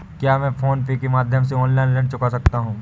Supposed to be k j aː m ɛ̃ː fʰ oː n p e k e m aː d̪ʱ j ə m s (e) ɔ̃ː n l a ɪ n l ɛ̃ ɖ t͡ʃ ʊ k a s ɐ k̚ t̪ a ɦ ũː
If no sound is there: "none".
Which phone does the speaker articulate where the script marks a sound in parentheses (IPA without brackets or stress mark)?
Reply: e